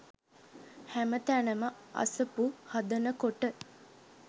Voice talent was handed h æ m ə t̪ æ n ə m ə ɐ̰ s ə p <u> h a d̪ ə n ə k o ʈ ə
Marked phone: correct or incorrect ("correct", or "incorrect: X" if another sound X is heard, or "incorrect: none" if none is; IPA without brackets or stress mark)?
correct